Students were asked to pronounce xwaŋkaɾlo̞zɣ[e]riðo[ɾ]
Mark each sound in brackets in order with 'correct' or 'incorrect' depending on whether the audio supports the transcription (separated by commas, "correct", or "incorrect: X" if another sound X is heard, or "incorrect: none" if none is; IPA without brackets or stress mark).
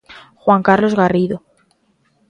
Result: incorrect: a, incorrect: none